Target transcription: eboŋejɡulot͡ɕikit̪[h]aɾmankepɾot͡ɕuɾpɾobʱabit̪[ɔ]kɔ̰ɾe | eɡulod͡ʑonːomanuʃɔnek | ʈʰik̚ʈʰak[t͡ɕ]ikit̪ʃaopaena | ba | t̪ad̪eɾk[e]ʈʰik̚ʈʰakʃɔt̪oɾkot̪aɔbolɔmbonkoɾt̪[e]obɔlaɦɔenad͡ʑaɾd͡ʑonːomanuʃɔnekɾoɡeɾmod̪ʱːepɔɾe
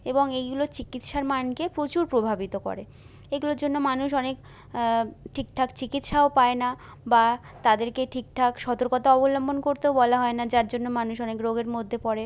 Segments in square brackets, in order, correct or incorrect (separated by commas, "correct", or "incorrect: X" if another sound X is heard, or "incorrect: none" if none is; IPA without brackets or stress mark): incorrect: ʃ, incorrect: o, correct, correct, correct